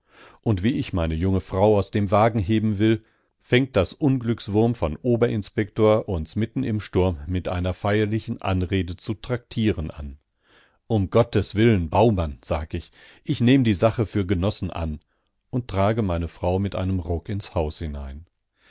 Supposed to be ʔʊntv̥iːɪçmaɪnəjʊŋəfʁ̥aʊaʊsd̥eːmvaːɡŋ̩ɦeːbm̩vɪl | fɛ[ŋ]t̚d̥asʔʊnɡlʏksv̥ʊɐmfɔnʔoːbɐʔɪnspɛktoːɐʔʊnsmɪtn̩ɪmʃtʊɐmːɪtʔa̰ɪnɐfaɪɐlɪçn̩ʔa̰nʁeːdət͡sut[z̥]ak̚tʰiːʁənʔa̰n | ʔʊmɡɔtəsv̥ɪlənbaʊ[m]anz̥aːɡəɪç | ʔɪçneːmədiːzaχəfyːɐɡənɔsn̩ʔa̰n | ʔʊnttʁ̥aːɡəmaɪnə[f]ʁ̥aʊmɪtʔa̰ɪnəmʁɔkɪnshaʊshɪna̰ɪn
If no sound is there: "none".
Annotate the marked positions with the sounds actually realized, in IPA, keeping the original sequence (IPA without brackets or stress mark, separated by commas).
ŋ, ʁ̥, m, f